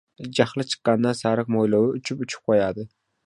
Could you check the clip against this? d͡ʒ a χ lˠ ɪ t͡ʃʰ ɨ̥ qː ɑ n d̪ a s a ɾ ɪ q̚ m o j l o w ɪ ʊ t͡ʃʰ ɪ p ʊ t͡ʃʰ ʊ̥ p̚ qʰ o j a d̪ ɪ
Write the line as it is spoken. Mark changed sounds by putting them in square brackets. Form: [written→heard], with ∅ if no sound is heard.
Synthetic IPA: d͡ʒ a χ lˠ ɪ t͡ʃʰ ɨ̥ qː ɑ n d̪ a s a ɾ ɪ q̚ m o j l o w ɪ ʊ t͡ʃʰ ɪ p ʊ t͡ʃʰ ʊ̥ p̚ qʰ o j a d̪ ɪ